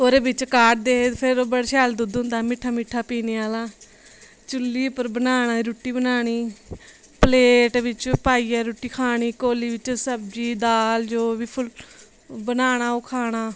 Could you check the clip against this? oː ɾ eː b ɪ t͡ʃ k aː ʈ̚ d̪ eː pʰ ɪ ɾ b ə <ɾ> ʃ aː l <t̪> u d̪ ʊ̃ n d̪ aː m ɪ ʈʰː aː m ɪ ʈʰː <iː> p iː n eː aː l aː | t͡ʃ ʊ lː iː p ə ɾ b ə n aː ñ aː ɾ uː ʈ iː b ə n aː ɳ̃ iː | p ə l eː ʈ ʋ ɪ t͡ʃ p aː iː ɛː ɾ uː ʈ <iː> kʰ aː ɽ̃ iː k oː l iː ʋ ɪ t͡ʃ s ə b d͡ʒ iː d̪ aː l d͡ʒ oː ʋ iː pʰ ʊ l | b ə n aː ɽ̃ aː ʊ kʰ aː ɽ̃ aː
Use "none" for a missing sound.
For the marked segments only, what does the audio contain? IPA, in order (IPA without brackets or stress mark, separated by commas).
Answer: ɽ, d̪, aː, iː